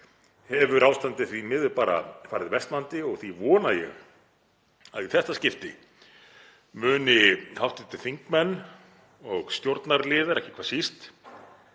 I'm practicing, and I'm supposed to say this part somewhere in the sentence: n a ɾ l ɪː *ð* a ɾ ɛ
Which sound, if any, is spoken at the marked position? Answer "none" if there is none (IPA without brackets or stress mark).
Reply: ð